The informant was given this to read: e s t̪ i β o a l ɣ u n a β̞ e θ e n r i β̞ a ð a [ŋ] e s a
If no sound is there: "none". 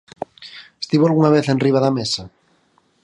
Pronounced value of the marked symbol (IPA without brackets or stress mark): m